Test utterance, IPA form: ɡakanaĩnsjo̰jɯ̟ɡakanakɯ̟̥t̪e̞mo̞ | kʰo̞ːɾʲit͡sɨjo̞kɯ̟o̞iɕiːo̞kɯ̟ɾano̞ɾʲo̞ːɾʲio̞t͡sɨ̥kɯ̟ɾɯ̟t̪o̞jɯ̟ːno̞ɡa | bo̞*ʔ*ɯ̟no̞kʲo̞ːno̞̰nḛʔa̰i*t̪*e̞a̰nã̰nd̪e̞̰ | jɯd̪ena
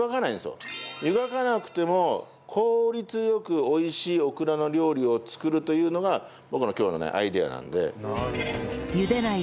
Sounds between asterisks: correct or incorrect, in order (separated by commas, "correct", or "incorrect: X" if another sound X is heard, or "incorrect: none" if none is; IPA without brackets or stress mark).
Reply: incorrect: k, incorrect: d̪